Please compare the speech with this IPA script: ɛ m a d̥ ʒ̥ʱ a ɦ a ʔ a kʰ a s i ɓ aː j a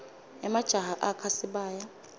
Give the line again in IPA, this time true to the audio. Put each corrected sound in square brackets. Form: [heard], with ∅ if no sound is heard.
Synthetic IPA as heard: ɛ m a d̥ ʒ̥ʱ a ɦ a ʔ a kʰ a s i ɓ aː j a